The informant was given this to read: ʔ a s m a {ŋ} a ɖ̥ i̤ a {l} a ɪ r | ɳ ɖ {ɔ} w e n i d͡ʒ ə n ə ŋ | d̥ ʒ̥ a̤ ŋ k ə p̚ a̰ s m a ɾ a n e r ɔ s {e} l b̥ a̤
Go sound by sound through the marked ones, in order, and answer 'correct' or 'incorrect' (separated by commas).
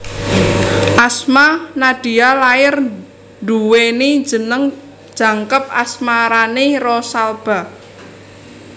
incorrect, correct, incorrect, incorrect